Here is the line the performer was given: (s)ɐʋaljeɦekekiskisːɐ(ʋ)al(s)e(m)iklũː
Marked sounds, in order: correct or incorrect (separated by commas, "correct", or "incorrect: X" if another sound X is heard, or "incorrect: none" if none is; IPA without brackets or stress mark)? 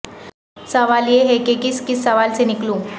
correct, correct, correct, incorrect: n